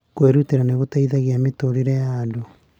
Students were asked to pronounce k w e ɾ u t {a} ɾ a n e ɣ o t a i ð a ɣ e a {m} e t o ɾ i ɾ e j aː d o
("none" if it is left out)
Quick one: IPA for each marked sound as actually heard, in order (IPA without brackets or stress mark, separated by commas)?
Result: e, m